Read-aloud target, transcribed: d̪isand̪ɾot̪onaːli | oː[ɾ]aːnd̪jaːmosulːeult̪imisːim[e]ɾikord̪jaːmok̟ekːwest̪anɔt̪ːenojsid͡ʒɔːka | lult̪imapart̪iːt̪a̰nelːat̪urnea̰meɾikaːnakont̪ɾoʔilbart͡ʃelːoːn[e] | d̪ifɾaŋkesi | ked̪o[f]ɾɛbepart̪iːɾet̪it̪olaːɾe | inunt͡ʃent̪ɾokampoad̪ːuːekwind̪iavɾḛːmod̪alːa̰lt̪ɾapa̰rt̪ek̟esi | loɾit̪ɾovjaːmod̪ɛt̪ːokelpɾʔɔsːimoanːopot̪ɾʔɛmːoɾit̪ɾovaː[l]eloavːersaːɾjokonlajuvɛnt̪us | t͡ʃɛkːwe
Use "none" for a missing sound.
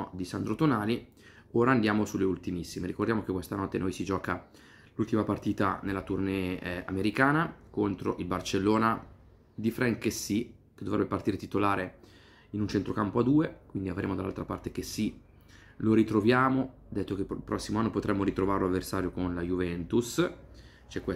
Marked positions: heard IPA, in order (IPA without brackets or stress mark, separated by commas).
ɾ, e, a, v, ɾ